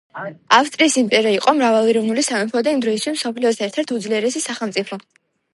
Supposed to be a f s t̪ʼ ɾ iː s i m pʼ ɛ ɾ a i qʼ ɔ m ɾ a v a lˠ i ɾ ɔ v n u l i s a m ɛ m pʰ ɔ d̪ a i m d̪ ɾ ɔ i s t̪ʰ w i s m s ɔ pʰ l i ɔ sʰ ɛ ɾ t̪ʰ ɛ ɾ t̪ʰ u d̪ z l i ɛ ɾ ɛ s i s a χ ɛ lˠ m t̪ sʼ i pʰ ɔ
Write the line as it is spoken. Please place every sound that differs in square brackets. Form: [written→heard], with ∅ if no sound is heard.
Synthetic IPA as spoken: a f s t̪ʼ ɾ iː s i m pʼ ɛ ɾ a i qʼ ɔ m ɾ a v a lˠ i ɾ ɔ v n u l i s a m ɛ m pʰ ɔ d̪ a i m d̪ ɾ ɔ i s t̪ʰ w i s m s ɔ pʰ l i ɔ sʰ ɛ ɾ t̪ʰ ɛ ɾ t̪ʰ u d̪ z l i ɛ ɾ ɛ s i s a χ ɛ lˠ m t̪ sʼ i pʰ ɔ